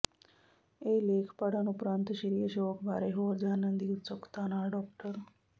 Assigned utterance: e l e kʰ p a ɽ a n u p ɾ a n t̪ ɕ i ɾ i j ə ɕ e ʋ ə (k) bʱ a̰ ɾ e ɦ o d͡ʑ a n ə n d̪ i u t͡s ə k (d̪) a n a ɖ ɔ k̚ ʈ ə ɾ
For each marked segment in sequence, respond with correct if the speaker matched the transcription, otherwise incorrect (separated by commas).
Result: correct, incorrect